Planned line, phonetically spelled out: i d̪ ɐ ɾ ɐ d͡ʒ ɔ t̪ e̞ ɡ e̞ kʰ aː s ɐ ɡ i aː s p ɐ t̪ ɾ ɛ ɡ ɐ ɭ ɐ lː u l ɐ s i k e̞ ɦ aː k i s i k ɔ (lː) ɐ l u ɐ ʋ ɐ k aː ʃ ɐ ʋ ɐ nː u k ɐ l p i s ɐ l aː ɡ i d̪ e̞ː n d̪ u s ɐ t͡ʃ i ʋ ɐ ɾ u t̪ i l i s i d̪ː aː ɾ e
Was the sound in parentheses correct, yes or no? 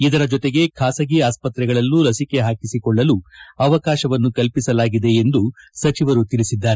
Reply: no